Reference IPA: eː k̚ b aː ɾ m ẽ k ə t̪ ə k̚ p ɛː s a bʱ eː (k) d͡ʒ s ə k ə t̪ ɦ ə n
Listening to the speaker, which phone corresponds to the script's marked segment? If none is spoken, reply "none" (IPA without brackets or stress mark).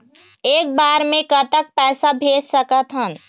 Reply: none